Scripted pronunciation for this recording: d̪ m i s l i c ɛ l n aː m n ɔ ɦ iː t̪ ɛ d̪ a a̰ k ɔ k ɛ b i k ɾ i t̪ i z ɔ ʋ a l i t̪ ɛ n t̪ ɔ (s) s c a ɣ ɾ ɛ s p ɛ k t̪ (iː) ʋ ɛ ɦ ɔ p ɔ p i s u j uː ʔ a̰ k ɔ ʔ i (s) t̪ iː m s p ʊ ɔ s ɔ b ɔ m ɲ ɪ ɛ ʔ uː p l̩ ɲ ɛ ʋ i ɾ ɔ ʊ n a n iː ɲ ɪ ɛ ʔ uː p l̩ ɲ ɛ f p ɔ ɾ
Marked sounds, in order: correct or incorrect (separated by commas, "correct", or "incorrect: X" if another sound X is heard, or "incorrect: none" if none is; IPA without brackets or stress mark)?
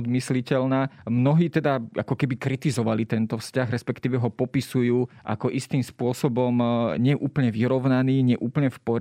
incorrect: f, correct, correct